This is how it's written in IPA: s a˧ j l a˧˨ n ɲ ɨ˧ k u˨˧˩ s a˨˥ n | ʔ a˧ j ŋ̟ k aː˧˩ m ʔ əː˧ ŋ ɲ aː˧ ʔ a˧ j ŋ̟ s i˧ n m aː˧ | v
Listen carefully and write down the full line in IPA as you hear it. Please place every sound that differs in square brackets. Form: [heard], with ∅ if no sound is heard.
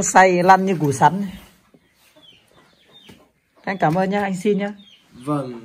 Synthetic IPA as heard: s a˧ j l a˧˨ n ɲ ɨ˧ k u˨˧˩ s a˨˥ n | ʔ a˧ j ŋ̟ k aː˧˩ m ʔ əː˧ [n] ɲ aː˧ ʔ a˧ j ŋ̟ s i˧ n [ɲ] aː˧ | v